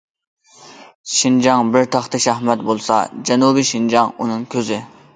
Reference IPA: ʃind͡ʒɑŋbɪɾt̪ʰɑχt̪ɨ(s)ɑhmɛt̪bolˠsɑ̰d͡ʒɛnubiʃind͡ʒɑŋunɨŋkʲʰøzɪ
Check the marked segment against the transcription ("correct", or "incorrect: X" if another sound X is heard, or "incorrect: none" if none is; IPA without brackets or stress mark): incorrect: ʃ